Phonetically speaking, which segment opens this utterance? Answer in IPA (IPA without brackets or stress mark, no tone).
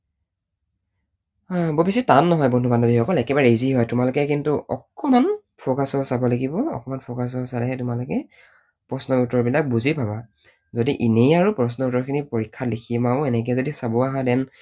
b